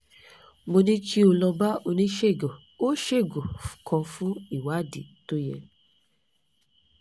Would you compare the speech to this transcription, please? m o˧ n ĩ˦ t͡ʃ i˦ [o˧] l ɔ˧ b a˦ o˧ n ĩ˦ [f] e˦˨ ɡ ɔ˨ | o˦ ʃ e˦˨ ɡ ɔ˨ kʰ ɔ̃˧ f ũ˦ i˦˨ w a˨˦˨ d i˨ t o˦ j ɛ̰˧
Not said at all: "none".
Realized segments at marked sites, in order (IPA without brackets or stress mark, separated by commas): o˧, ʃ